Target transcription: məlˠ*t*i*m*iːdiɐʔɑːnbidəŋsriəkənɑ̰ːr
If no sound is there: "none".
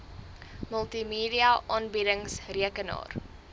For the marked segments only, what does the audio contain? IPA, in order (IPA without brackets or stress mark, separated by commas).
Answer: t, m